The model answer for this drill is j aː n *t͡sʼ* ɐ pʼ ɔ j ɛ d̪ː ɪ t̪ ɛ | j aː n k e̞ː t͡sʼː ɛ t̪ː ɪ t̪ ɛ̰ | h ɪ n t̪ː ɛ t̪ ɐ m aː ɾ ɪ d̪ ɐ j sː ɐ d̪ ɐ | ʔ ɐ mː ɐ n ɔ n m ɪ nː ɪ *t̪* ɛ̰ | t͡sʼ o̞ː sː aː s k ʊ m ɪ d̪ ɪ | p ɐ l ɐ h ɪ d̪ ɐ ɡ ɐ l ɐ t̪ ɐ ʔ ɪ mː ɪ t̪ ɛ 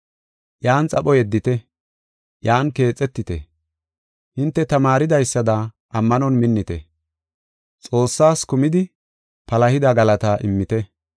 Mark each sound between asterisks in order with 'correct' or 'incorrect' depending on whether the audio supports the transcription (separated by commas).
correct, correct